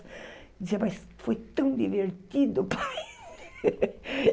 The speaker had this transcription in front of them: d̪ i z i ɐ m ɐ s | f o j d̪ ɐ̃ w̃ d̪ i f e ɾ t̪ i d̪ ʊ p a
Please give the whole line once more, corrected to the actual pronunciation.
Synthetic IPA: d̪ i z i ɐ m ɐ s | f o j t̪ ɐ̃ w̃ d̪ i v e ɾ t̪ i d̪ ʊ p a